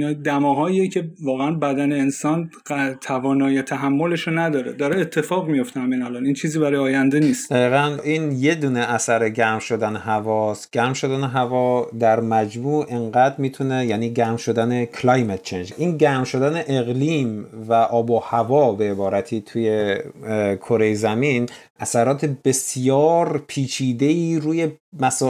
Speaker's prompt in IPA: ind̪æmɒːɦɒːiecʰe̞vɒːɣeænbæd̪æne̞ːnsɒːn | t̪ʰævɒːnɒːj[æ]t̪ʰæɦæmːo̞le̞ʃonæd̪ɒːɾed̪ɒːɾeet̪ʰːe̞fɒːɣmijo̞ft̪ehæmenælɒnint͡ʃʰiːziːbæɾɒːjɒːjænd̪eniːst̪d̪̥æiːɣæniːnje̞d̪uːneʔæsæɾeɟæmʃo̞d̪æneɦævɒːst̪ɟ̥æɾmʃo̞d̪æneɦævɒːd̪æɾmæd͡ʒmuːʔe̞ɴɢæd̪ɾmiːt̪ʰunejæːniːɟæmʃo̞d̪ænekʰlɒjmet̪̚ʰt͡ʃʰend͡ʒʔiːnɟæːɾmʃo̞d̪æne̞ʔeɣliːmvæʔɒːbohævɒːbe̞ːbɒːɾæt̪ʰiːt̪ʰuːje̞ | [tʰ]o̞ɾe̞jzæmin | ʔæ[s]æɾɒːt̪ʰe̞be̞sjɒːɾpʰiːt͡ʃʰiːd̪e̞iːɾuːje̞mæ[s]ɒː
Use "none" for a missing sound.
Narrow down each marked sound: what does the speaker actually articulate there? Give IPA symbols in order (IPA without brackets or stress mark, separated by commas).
e, kʰ, s, s